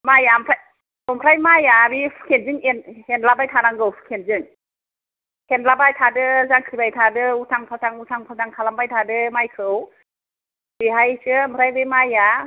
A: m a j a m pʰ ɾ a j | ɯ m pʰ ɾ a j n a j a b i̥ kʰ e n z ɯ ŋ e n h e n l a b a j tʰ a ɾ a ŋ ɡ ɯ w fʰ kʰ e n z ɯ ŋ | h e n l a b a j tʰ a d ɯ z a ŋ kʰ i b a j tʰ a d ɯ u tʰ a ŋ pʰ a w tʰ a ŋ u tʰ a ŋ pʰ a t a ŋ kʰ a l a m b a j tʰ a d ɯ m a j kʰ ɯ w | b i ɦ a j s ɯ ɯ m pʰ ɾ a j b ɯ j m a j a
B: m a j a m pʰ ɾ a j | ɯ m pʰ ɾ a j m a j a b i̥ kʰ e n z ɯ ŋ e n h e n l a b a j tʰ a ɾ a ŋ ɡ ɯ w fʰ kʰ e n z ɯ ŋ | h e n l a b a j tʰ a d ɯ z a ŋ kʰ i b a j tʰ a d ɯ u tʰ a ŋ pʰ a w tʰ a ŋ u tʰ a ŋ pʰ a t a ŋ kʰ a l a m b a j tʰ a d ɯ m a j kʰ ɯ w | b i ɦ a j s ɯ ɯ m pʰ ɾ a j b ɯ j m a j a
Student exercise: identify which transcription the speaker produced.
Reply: B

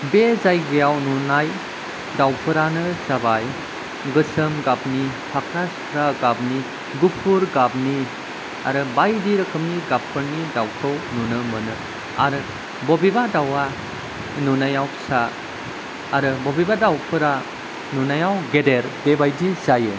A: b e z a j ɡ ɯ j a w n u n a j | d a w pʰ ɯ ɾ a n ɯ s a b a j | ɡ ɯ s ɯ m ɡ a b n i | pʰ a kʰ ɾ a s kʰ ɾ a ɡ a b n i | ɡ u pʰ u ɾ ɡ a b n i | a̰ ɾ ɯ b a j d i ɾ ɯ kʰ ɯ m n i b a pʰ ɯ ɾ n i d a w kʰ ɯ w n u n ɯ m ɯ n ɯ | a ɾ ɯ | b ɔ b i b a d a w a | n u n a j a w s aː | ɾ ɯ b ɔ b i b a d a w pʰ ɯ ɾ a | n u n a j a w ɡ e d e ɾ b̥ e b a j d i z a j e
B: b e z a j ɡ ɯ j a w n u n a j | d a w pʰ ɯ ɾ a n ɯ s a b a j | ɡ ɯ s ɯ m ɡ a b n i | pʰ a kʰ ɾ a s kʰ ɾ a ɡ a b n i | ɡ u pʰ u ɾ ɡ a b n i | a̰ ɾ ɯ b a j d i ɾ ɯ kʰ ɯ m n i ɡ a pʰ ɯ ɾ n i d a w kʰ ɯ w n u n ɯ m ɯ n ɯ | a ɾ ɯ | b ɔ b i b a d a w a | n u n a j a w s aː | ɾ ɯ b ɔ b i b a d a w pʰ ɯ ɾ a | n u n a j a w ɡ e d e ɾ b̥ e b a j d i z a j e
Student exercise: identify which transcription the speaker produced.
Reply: B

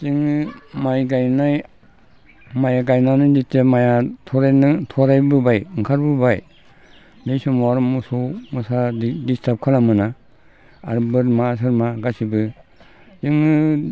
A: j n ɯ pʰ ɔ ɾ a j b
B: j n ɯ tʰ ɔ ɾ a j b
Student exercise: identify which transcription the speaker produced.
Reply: B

